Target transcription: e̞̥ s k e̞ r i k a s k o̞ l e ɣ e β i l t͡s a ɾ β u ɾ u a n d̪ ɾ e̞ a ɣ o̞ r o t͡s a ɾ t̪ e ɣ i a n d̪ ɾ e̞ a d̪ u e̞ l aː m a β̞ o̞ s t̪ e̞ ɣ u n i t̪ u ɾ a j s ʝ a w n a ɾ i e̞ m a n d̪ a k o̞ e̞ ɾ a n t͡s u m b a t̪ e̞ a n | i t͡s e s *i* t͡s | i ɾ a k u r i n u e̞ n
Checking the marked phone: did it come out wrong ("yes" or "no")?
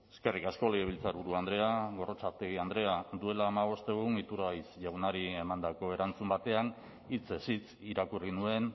no